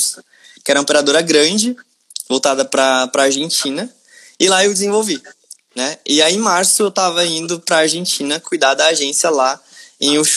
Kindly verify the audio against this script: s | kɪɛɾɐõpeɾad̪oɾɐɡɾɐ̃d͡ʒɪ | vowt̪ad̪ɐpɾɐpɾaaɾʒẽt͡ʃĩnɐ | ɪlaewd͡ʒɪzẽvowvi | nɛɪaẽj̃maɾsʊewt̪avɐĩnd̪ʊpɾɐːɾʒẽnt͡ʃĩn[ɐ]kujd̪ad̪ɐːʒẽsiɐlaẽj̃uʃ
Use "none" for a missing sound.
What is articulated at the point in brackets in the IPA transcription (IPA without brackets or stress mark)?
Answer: ɐ